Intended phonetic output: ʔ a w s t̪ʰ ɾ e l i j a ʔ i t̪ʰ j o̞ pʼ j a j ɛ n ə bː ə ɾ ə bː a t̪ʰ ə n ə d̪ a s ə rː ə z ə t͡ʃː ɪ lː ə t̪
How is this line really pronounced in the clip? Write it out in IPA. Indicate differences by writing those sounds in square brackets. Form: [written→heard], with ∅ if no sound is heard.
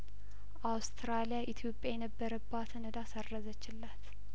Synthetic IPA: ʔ a w s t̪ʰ ɾ [e→a] l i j a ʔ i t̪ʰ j o̞ pʼ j a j ɛ n ə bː ə ɾ ə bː a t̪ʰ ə n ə d̪ a s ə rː ə z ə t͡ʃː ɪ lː [ə→a] t̪